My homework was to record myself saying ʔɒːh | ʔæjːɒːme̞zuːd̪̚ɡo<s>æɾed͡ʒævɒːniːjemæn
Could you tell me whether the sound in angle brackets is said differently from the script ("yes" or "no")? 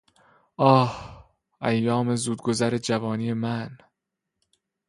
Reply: yes